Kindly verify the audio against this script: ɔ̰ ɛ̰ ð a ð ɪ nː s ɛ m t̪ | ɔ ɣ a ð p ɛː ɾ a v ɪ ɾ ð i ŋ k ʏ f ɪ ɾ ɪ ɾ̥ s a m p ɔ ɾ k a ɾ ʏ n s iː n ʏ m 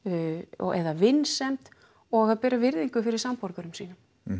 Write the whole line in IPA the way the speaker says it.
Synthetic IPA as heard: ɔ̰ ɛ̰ ð a v ɪ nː s ɛ m t̪ | ɔ ɣ a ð p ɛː ɾ a v ɪ ɾ ð i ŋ k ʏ f ɪ ɾ ɪ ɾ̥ s a m p ɔ ɾ k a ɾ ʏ m s iː n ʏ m